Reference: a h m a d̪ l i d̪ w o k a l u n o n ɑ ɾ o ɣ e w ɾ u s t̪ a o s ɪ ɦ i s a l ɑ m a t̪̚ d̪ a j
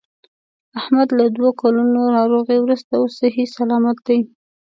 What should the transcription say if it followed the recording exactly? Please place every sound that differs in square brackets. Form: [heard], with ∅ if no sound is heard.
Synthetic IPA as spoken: a h m a d̪ l [a] d̪ w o k a l u n o n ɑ ɾ o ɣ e w ɾ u s t̪ a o s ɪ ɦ i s a l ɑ m a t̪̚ d̪ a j